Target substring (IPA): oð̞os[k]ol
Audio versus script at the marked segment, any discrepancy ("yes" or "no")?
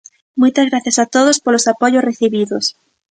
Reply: yes